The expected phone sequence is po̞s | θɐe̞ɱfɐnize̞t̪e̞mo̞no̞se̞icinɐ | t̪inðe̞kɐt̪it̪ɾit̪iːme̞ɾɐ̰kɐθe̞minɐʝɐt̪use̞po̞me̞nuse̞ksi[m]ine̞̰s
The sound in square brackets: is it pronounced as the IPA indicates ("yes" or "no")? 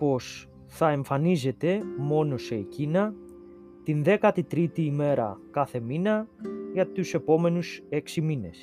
yes